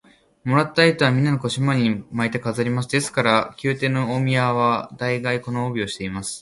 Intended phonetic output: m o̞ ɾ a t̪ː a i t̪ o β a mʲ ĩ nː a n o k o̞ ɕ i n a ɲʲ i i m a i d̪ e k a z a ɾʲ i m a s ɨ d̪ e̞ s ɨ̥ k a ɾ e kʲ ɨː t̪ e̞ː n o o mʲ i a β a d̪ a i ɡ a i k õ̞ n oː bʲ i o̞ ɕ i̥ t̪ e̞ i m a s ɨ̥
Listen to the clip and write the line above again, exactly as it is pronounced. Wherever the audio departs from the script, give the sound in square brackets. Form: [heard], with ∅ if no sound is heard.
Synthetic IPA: m o̞ ɾ a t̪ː a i t̪ o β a mʲ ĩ nː a n o k o̞ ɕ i [m] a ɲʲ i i m a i [t̪] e k a z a ɾʲ i m a s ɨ d̪ e̞ s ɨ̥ k a ɾ [a] kʲ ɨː t̪ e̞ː n o o mʲ i a β a d̪ a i ɡ a i k [o̞] n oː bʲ i o̞ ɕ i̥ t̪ e̞ i m a s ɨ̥